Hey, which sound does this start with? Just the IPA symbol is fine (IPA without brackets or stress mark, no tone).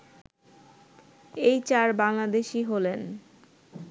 e